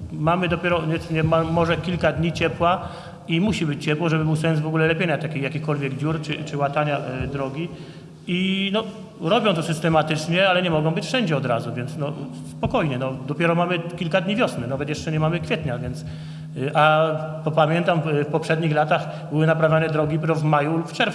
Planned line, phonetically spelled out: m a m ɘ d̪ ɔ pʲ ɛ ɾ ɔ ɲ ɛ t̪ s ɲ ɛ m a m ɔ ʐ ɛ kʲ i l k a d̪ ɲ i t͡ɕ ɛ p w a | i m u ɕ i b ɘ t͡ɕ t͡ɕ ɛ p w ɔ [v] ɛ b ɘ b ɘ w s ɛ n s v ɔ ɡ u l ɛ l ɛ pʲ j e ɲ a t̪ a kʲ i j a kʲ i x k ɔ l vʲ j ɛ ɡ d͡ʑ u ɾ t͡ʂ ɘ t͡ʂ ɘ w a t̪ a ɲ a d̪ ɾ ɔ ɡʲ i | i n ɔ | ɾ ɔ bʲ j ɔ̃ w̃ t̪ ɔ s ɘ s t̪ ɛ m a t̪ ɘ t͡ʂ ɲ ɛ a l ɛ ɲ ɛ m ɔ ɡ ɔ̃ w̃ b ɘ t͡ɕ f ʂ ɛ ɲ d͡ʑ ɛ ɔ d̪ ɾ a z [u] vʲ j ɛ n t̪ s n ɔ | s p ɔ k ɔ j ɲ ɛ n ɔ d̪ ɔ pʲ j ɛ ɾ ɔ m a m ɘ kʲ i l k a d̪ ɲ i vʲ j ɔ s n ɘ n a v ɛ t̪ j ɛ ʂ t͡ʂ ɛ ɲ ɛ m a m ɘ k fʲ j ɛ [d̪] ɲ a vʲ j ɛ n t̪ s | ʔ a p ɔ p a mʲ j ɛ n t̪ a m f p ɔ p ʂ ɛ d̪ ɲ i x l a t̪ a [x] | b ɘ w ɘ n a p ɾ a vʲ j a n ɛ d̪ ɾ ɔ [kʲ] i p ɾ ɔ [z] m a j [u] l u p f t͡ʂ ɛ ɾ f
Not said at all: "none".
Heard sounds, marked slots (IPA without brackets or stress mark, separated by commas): ʐ, u, t̪, x, ɡʲ, v, u